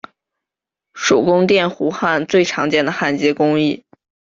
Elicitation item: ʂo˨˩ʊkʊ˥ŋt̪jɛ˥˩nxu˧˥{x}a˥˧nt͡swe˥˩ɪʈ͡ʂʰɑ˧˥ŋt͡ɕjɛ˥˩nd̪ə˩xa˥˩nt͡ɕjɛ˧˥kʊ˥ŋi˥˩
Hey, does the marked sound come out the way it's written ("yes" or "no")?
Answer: yes